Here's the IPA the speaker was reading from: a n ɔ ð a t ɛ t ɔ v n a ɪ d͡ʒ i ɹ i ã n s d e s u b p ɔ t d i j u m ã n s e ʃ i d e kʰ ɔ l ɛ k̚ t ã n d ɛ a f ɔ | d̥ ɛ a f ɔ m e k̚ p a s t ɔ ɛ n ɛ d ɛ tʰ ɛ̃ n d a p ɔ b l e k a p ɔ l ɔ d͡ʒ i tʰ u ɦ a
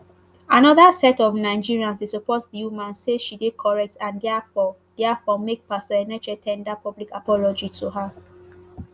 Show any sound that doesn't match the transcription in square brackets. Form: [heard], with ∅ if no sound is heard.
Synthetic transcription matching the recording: a n ɔ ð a [s] ɛ t ɔ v n a ɪ d͡ʒ i ɹ i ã n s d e s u [∅] p ɔ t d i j u m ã n s e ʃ i d e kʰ ɔ [ɹ] ɛ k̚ t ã n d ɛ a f ɔ | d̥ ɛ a f ɔ m e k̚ p a s t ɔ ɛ n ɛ [d͡ʒ] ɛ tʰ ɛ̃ n d a p ɔ b l [i] k a p ɔ l ɔ d͡ʒ i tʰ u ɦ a